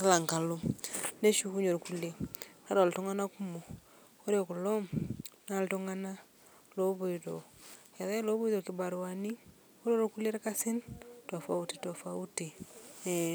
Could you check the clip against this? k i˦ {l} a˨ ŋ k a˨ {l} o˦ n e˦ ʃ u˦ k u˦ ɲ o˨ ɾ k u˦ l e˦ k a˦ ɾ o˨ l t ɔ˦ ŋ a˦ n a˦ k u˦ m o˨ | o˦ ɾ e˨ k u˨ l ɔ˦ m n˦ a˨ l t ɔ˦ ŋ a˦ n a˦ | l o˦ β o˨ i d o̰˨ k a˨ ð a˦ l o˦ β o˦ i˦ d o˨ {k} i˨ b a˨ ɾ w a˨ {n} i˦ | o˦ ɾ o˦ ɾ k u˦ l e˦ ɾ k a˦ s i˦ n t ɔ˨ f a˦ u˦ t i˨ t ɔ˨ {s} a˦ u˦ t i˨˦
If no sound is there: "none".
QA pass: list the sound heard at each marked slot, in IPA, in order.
l, l, k, n, f

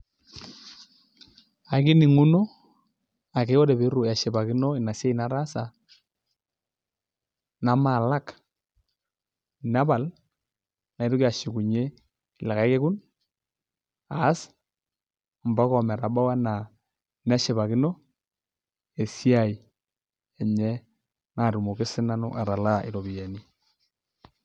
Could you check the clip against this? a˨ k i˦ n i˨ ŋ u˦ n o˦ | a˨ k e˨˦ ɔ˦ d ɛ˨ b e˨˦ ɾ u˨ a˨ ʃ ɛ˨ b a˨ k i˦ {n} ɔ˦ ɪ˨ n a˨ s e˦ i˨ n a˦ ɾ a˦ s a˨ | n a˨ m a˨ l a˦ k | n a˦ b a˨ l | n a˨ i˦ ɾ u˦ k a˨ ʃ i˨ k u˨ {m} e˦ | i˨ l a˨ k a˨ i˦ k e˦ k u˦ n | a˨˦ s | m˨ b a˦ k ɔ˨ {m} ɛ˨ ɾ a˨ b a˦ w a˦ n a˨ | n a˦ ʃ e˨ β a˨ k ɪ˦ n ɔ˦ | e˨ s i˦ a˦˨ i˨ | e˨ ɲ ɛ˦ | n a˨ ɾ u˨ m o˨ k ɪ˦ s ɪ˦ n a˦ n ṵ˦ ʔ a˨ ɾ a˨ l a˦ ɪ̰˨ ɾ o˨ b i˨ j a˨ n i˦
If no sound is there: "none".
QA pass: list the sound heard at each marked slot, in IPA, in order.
n, ɲ, m

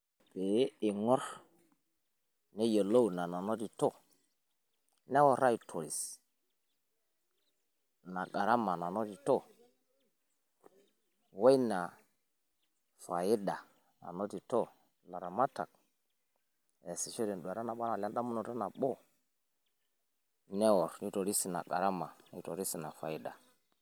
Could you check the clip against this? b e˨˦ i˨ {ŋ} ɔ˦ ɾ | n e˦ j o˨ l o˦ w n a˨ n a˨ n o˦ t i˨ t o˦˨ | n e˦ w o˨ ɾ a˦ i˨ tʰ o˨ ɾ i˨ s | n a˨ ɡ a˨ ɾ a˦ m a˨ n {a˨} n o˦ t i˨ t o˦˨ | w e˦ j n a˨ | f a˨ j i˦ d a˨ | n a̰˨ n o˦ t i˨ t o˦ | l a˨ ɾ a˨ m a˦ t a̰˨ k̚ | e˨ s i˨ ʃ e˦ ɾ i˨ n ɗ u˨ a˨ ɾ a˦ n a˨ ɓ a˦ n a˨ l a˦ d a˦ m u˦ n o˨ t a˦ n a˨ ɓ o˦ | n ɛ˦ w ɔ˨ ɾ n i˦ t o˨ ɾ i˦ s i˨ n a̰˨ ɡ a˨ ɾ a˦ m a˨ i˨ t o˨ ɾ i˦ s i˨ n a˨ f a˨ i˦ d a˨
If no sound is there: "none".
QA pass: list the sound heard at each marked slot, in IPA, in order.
ŋ, a˨

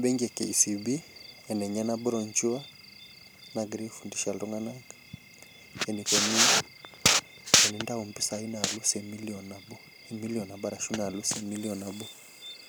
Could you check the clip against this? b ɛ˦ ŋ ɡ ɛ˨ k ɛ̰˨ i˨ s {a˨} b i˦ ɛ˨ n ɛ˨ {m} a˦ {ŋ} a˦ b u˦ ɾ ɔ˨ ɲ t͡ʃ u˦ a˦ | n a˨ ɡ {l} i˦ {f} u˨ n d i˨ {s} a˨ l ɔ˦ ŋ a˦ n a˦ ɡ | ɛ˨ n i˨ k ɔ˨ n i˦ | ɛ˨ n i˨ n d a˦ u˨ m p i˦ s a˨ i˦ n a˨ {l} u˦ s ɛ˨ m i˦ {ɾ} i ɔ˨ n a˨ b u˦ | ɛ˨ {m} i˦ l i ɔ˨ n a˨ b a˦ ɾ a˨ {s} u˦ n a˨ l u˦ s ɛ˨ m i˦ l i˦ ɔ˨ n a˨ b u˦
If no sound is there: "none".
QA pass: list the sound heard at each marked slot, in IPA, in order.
i˨, ɲ, n, ɾ, f, ʃ, l, l, m, ʃ

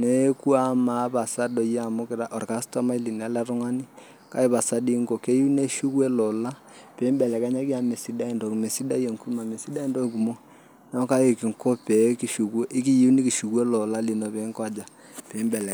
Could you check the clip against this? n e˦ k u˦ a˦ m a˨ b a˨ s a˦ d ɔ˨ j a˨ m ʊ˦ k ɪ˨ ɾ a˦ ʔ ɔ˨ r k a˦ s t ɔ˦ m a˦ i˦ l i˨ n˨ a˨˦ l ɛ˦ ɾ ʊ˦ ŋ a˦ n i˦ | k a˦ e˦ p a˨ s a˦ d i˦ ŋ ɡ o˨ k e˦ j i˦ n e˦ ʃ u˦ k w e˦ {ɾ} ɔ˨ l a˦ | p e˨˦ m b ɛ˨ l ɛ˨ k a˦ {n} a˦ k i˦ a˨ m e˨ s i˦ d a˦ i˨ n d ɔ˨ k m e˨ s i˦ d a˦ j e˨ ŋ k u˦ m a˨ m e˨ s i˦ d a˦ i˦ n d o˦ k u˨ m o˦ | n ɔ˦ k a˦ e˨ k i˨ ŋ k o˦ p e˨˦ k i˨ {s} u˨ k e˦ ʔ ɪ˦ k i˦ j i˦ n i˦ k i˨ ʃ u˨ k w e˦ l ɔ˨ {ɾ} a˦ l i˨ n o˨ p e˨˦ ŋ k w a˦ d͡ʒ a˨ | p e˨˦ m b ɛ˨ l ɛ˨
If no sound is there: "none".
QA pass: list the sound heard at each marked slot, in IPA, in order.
l, ɲ, ʃ, l

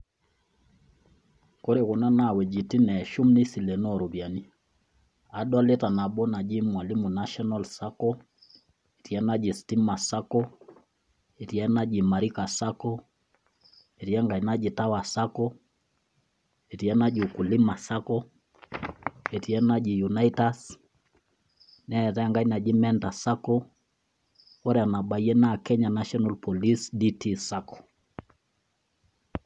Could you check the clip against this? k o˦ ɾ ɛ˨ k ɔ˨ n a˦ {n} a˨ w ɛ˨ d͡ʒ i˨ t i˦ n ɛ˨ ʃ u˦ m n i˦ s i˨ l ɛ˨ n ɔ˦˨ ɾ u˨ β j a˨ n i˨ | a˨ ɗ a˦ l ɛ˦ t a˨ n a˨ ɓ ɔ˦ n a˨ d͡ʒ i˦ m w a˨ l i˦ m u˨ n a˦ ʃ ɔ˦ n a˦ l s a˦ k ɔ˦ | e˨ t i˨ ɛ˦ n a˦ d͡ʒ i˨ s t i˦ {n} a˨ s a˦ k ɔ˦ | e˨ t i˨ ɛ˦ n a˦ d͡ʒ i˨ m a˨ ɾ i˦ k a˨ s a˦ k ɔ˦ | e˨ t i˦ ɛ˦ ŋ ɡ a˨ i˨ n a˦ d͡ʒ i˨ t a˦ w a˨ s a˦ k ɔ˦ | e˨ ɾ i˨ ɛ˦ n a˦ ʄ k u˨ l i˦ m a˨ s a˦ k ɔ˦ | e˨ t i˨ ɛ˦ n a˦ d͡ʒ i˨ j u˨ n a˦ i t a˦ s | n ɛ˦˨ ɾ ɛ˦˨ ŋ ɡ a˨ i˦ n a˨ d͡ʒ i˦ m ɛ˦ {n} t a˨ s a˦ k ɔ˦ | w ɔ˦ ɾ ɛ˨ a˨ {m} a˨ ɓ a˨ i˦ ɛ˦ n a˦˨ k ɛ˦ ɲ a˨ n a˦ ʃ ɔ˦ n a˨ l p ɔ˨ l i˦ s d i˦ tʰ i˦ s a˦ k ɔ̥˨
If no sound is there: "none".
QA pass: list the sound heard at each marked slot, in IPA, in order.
n, m, n, n

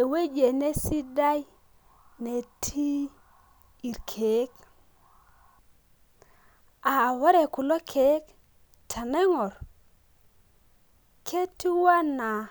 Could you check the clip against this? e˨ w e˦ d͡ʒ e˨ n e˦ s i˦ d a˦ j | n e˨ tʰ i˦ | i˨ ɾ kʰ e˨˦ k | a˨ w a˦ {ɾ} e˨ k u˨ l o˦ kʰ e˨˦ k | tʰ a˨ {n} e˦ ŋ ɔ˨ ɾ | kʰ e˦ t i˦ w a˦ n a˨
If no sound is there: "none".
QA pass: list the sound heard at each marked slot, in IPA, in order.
ɾ, n

